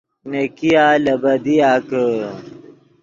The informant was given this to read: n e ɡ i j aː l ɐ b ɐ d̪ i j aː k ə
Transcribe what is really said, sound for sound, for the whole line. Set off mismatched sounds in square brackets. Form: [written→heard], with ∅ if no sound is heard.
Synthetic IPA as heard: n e [ɡ→k] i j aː l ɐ b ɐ d̪ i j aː k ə

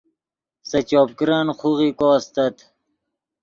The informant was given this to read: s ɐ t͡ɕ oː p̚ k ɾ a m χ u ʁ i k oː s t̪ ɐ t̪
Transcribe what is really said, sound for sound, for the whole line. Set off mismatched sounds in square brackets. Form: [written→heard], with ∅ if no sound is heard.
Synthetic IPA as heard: s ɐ t͡ɕ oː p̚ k ɾ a [m→n] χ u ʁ i k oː s t̪ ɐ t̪

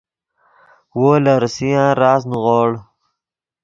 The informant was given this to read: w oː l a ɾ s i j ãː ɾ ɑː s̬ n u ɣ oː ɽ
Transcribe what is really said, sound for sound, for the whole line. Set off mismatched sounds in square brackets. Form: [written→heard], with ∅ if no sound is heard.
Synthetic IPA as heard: w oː l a ɾ s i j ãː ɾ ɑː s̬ n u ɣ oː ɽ

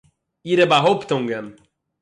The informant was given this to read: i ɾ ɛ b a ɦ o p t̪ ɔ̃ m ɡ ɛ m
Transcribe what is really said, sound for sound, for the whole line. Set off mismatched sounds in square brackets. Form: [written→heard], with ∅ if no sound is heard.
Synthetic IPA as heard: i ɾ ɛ b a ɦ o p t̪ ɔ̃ [m→ŋ] ɡ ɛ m

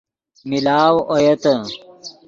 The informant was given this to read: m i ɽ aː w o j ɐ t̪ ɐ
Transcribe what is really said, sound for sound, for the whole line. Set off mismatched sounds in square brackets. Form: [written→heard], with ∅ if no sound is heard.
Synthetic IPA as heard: m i [ɽ→l] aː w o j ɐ t̪ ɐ

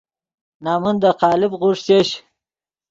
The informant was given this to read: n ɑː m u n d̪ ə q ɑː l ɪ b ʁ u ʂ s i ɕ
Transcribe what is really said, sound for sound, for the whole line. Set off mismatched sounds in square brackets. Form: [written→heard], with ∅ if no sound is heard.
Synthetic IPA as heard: n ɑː m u n d̪ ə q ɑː l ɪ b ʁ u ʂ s [i→e] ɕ

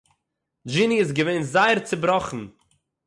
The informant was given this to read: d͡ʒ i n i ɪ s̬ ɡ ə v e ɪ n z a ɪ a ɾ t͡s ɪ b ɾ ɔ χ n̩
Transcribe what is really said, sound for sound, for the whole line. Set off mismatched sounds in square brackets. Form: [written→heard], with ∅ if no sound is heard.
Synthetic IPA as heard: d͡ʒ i n i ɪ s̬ ɡ ə v e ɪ n z a ɪ [a→ə] ɾ t͡s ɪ b ɾ ɔ χ n̩

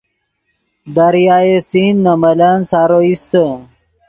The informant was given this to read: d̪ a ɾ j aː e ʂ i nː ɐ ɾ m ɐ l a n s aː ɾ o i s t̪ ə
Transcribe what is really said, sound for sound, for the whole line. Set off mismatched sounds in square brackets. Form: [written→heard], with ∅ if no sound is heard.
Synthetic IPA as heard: d̪ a ɾ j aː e [ʂ→s] i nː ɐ [ɾ→∅] m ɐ l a n s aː ɾ o i s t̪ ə

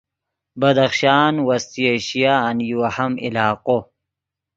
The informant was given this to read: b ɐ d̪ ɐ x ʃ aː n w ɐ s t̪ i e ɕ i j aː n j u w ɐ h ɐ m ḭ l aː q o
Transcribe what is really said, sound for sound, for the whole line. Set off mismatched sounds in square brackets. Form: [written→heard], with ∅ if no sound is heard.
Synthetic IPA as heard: b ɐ d̪ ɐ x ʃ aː n w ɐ s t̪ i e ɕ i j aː n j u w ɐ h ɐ m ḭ l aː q o

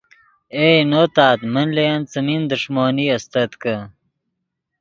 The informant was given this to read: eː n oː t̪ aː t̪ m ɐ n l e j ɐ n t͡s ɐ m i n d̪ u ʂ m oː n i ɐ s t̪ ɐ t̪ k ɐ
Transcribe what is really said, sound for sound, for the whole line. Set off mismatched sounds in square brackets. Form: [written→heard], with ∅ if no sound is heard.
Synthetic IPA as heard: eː n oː t̪ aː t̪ m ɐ n l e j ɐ n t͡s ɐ m i n d̪ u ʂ m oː n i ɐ s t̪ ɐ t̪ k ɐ

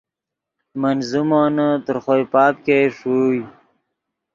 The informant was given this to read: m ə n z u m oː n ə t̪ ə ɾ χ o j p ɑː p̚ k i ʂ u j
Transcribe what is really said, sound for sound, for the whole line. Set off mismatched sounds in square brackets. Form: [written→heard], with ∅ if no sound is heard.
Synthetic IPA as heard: m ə n z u m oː n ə t̪ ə ɾ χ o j p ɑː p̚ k [i→e] ʂ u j

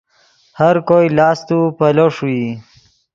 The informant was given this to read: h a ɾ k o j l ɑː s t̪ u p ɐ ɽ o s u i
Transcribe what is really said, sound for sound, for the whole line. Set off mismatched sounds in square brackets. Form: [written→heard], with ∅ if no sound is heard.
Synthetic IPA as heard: h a ɾ k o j l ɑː s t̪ u p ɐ [ɽ→l] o [s→ʂ] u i

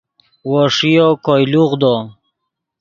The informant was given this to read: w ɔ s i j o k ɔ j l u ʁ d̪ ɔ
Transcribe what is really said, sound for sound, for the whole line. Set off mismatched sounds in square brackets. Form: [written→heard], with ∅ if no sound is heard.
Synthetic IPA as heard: w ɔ [s→ʂ] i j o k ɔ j l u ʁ d̪ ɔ

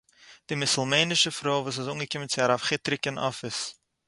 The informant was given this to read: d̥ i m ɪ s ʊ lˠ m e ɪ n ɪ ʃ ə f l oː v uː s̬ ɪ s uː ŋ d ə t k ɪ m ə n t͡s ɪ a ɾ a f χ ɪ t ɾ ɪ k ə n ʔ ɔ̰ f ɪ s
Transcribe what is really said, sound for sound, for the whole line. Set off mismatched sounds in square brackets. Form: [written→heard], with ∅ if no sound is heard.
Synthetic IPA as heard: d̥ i m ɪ s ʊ lˠ m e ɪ n ɪ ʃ ə f [l→ɾ] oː v uː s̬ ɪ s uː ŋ [d→ɡ] ə [t→∅] k ɪ m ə n t͡s ɪ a ɾ a f χ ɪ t ɾ ɪ k ə n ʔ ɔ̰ f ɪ s

